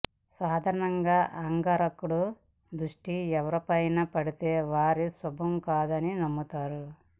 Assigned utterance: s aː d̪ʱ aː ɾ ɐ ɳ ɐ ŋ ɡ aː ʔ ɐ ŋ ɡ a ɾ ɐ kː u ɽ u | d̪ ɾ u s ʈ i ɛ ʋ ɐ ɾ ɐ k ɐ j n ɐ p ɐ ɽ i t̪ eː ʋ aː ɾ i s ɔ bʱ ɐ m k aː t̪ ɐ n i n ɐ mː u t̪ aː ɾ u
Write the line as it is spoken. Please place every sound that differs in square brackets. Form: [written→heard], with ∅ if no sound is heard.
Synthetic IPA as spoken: s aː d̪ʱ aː ɾ ɐ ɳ ɐ ŋ ɡ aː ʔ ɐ ŋ ɡ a ɾ ɐ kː u ɽ u | d̪ ɾ u [s→ʂ] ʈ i ɛ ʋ ɐ ɾ ɐ [k→p] ɐ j n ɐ p ɐ ɽ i t̪ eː ʋ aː ɾ i s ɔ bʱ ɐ m k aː [t̪→d̪] ɐ n i n ɐ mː u t̪ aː ɾ u